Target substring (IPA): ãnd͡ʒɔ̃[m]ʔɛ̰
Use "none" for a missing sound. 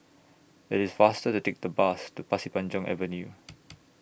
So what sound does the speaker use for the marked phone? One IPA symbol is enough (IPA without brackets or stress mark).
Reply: ŋ